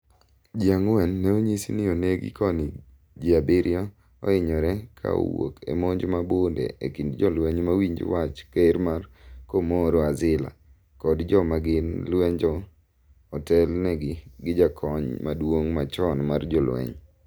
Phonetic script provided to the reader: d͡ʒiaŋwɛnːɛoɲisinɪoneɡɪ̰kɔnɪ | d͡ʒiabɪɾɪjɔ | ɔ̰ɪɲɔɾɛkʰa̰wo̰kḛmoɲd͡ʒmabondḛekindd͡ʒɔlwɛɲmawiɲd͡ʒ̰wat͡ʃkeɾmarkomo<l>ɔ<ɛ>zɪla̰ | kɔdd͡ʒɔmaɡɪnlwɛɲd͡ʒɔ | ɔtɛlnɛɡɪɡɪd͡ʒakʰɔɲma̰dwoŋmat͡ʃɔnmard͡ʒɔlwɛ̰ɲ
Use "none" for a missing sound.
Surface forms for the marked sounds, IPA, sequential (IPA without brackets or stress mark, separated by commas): ɾ, a